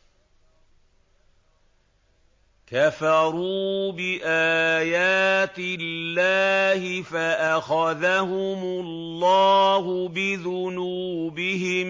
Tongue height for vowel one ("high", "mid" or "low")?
low